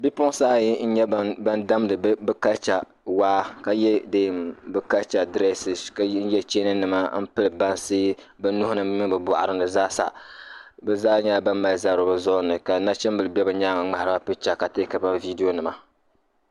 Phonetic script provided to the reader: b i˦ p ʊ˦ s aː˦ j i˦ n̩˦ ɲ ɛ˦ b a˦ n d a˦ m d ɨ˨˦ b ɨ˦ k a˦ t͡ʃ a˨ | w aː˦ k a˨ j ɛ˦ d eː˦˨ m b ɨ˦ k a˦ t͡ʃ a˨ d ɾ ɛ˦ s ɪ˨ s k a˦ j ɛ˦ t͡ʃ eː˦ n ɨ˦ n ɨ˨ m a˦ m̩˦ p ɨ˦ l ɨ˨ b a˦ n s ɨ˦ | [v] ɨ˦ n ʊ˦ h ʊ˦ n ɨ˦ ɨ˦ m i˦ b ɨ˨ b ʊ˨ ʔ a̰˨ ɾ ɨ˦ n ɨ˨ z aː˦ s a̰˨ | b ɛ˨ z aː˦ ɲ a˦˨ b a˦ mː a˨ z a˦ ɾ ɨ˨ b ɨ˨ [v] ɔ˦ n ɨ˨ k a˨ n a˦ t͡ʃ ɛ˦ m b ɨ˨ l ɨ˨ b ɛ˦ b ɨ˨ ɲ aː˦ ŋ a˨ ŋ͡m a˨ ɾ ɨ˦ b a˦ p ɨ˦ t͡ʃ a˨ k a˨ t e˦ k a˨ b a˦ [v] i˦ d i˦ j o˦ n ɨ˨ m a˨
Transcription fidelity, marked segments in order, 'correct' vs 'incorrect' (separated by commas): incorrect, incorrect, correct